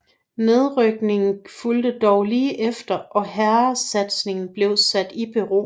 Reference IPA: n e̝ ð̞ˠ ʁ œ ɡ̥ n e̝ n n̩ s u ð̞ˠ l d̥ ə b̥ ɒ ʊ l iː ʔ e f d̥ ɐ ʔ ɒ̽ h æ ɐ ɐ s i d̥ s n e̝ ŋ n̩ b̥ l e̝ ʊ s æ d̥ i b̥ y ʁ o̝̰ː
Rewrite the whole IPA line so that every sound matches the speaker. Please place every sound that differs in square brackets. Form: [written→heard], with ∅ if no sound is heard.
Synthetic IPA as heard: n e̝ ð̞ˠ ʁ œ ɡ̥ n e̝ [n→ŋ] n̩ [s→f] u [ð̞ˠ→∅] l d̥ ə [b̥→d̥] ɒ ʊ l iː ʔ e f d̥ ɐ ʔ ɒ̽ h æ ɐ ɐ s [i→æ] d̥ s n e̝ ŋ n̩ b̥ l e̝ ʊ s æ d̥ i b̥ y ʁ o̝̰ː